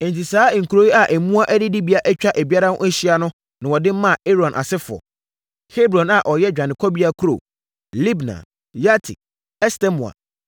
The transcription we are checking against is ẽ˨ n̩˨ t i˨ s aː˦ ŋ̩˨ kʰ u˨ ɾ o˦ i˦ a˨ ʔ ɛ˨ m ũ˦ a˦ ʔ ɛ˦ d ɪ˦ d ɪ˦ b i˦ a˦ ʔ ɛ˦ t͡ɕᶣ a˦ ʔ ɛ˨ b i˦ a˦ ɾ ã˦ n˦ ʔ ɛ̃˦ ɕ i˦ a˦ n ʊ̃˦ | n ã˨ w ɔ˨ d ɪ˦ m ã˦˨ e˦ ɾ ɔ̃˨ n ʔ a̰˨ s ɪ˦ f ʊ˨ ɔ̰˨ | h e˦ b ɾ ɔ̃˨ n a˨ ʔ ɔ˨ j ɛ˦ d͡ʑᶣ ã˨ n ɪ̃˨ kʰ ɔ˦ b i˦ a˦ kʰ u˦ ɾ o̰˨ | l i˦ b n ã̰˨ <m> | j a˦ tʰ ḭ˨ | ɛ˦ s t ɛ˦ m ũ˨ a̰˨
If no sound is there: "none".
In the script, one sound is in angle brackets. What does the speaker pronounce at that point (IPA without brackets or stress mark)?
none